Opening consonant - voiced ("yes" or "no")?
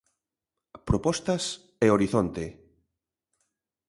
no